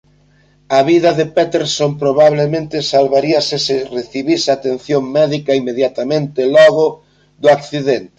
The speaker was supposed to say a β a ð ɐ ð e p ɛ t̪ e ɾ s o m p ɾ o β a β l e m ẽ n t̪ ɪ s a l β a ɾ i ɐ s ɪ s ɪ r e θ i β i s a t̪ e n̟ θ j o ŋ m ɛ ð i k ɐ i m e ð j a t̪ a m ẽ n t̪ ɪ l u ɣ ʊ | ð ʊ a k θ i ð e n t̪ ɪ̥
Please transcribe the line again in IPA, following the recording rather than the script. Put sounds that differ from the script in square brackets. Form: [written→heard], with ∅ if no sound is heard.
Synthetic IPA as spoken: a β [a→i] ð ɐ ð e p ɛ t̪ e ɾ s o m p ɾ o β a β l e m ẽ n t̪ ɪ s a l β a ɾ i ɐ s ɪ s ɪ r e θ i β i s a t̪ e n̟ θ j o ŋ m ɛ ð i k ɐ i m e ð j a t̪ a m ẽ n t̪ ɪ l [u→ɔ] ɣ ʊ | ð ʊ a k θ i ð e n t̪ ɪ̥